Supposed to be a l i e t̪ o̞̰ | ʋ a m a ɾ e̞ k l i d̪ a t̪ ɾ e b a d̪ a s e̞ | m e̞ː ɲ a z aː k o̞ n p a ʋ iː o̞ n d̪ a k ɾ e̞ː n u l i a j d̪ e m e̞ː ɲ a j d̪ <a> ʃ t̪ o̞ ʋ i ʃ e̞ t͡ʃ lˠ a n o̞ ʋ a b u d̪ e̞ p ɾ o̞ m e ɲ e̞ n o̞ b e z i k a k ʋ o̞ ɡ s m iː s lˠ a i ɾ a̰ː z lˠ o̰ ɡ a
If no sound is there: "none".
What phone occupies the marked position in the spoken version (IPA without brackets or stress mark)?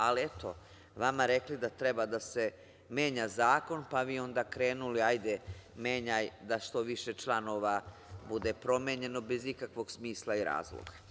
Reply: a